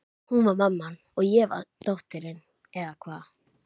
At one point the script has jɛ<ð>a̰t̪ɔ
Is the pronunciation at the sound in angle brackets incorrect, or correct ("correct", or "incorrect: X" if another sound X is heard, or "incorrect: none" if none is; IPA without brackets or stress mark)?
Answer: incorrect: v